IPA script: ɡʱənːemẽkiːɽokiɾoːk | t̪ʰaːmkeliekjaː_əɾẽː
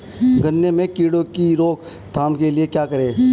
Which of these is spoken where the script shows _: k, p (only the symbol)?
k